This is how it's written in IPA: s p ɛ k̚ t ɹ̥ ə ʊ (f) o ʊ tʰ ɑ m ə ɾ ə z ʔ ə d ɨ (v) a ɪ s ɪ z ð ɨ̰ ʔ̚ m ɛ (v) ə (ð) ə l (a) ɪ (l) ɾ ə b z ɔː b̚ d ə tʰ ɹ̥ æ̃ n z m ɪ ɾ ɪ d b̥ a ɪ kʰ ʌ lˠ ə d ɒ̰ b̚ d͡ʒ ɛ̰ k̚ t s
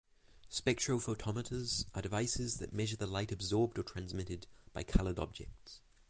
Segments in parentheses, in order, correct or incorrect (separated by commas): correct, correct, incorrect, correct, correct, incorrect